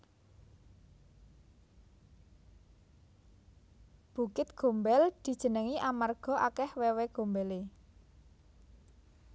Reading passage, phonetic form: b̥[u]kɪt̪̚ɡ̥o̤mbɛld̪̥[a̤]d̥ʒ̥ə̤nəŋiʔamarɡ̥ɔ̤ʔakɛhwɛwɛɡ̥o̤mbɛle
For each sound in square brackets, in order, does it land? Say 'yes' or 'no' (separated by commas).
yes, no